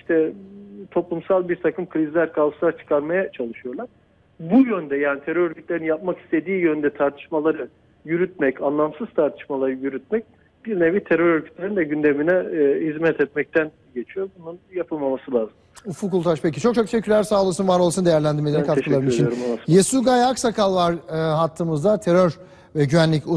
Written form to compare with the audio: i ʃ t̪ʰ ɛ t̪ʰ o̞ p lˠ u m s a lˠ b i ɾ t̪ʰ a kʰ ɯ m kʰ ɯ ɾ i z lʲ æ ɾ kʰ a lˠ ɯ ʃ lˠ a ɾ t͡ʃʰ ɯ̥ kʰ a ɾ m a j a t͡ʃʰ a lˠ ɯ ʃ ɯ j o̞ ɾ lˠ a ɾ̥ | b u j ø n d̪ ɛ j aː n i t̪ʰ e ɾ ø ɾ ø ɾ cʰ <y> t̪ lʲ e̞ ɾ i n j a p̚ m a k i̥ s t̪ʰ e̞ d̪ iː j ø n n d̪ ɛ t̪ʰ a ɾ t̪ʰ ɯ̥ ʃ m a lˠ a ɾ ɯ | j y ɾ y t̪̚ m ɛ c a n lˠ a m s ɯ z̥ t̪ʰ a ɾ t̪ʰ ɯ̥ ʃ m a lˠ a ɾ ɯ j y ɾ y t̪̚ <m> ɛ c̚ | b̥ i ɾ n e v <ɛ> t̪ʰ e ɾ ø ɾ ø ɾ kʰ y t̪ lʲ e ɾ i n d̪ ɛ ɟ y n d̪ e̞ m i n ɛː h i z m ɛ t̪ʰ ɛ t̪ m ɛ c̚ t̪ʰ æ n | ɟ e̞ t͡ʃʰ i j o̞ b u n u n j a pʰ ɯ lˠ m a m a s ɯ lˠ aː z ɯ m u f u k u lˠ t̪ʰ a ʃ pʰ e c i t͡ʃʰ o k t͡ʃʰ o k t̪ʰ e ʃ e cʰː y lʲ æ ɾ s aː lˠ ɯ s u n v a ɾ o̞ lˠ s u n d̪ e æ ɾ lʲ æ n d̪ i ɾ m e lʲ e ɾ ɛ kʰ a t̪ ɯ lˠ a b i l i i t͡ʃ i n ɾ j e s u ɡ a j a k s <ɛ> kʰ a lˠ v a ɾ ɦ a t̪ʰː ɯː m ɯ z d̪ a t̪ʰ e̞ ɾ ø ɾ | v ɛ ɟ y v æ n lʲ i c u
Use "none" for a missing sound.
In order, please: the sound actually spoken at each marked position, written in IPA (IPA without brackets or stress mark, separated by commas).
y, m, i, a